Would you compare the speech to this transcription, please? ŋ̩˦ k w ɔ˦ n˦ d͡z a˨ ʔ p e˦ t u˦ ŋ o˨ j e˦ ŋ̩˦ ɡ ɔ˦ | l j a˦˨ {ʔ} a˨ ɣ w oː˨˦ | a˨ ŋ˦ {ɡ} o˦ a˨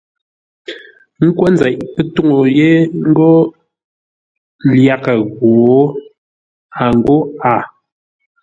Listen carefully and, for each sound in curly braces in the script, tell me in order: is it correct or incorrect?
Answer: incorrect: k, correct

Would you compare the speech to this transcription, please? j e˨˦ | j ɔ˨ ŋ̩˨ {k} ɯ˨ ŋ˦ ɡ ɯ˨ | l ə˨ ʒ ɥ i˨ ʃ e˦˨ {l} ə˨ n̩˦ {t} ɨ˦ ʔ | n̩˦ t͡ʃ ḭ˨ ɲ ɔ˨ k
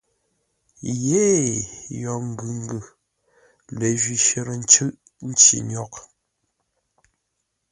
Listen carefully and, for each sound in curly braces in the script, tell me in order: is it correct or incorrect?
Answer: incorrect: ɡ, incorrect: ɾ, incorrect: t͡ʃ

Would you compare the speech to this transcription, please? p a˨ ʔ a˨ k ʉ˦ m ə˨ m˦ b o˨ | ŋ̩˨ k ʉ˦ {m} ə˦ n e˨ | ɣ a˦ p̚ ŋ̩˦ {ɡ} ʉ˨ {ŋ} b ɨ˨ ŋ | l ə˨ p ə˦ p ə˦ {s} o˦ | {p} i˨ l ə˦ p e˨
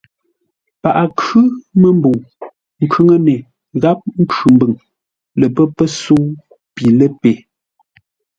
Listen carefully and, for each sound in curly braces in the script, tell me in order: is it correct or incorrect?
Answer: incorrect: ŋ, incorrect: k, incorrect: m, correct, correct

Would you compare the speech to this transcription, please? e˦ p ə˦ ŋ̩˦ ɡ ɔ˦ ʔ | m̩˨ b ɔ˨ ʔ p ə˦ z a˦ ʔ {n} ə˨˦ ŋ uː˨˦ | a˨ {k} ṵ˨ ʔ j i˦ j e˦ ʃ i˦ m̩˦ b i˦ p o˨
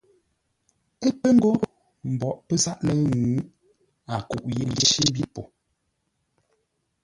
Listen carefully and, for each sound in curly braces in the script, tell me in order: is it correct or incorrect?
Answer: correct, correct

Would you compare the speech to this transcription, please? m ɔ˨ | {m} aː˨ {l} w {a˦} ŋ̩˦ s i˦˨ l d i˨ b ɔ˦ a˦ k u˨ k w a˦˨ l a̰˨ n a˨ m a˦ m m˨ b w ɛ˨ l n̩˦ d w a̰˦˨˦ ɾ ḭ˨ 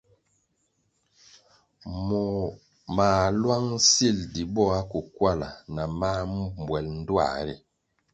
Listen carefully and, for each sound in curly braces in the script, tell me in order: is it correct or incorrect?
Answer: correct, correct, correct

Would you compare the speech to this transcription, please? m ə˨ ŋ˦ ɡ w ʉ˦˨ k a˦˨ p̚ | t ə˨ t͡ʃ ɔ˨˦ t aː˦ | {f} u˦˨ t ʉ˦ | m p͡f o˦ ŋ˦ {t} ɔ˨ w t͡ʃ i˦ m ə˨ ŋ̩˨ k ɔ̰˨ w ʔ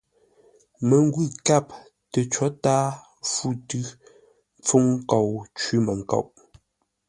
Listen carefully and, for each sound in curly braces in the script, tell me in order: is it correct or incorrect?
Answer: correct, incorrect: k

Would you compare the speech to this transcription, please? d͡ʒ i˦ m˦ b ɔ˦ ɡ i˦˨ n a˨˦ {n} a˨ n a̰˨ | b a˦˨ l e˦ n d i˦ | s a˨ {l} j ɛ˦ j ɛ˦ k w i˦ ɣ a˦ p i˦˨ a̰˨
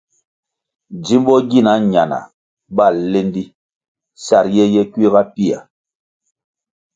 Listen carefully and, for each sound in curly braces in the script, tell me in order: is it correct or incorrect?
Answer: incorrect: ɲ, incorrect: ɾ

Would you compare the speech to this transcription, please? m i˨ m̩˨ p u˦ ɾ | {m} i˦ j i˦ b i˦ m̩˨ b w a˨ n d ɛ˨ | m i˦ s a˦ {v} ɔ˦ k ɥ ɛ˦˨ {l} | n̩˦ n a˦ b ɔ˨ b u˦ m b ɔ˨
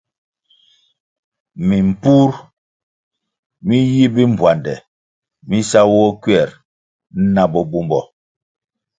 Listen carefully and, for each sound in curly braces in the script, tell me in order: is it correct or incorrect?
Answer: correct, incorrect: w, incorrect: ɾ

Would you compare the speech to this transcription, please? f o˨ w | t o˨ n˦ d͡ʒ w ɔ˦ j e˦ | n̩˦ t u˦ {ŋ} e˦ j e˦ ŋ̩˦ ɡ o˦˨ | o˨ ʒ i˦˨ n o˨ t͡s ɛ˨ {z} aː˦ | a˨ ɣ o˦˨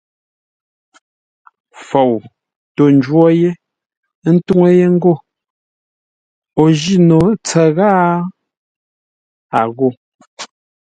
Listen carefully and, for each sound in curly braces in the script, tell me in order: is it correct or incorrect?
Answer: correct, incorrect: ɣ

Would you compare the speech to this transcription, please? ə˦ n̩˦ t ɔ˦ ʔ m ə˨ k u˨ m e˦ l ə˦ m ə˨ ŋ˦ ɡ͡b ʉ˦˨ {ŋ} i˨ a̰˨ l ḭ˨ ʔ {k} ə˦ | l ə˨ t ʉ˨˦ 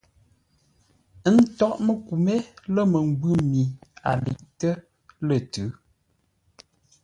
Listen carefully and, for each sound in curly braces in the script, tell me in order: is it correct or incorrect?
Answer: incorrect: m, incorrect: t

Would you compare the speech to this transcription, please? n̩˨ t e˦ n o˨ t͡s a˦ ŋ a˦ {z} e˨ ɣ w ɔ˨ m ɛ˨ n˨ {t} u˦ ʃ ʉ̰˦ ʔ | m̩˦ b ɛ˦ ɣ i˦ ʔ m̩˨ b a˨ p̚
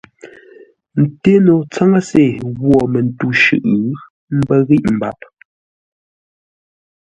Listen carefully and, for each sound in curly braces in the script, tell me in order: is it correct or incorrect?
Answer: incorrect: s, correct

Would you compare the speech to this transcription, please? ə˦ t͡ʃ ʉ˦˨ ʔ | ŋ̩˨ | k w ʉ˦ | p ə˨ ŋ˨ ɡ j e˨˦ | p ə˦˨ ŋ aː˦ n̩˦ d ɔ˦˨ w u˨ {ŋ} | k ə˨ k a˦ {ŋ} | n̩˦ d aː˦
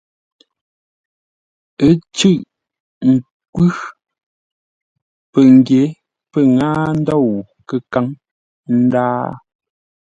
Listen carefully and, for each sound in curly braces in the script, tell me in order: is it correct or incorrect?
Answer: incorrect: none, correct

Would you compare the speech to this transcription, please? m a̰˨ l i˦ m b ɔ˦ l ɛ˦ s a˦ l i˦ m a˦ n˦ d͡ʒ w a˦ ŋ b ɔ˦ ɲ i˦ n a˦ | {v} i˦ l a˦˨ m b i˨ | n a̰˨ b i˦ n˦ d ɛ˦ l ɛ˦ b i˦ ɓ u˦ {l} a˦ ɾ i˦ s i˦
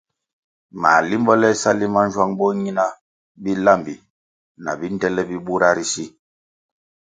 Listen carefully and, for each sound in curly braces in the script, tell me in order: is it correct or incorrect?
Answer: incorrect: b, incorrect: ɾ

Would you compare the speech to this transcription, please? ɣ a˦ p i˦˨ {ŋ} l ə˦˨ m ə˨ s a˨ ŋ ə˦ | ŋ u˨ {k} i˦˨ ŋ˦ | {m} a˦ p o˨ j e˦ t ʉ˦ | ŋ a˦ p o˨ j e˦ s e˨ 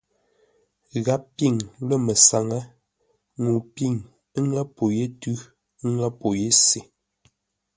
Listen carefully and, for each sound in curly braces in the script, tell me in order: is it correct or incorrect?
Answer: correct, incorrect: p, incorrect: ŋ

